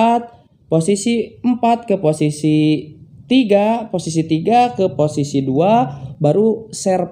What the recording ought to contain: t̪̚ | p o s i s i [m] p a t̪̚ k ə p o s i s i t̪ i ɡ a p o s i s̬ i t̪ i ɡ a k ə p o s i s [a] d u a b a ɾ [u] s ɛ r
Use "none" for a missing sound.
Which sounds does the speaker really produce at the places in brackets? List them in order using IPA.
m, i, u

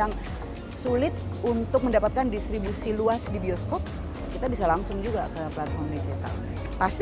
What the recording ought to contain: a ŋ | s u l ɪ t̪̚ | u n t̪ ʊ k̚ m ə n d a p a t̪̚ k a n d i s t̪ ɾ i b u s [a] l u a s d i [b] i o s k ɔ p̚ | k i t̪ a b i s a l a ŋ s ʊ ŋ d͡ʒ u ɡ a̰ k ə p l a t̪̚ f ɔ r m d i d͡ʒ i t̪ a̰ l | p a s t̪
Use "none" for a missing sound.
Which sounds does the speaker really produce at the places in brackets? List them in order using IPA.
i, b

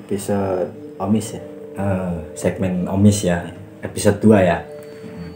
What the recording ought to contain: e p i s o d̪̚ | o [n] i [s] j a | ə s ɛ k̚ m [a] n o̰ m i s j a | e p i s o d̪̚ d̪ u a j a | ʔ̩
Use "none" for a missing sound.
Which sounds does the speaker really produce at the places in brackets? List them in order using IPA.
m, s, ɛ

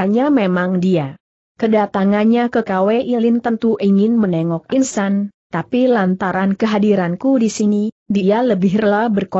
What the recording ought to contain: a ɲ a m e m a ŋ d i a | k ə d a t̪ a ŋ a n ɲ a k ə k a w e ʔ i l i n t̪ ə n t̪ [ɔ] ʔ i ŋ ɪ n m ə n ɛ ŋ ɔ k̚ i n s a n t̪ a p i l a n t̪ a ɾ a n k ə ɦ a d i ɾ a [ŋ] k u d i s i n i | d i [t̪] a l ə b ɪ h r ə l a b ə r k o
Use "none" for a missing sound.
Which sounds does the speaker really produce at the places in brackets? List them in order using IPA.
u, n, none

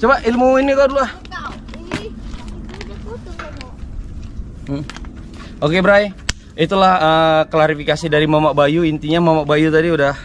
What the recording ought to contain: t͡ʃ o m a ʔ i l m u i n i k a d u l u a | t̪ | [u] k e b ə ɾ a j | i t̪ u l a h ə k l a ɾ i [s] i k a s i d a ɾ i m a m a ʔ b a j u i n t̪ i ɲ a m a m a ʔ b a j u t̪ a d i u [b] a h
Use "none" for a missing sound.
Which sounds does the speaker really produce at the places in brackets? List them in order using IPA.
o, f, d

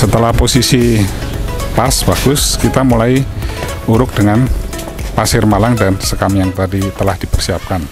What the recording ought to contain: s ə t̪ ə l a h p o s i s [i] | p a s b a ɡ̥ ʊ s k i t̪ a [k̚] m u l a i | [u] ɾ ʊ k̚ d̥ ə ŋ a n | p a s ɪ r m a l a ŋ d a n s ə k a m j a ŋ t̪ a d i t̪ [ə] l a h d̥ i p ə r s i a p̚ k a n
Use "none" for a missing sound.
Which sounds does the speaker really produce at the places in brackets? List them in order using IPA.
i, none, u, ə

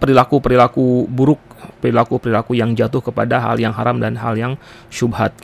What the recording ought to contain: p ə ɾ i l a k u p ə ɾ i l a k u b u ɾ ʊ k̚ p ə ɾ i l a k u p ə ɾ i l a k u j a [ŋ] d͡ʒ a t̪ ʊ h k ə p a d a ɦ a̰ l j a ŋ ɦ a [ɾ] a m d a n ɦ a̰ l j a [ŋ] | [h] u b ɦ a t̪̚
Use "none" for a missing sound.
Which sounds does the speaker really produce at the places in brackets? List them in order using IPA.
ŋ, ɾ, ŋ, ʃ

